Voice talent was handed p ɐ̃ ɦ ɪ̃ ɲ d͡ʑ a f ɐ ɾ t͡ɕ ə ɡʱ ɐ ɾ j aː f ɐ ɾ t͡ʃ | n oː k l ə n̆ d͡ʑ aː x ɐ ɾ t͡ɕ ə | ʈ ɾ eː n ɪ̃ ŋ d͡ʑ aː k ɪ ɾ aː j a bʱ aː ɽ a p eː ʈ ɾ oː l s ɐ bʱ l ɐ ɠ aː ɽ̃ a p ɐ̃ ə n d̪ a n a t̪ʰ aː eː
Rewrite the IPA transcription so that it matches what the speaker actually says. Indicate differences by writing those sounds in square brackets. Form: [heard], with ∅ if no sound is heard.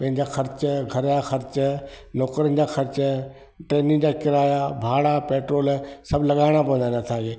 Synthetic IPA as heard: p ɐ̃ ɦ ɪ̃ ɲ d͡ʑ a [x] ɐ ɾ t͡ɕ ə ɡʱ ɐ ɾ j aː [x] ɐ ɾ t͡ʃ | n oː k [ɾ] ə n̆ d͡ʑ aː x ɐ ɾ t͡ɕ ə | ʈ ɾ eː n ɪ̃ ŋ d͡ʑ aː k ɪ ɾ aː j a bʱ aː ɽ a p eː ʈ ɾ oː l s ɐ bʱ l ɐ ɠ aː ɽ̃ a p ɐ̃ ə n d̪ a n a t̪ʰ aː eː